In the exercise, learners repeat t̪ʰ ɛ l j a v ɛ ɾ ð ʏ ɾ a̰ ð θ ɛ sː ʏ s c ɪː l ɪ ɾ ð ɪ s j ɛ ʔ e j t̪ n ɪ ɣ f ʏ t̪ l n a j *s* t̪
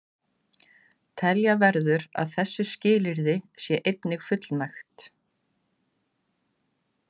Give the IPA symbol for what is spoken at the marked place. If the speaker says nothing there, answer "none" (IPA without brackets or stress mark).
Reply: x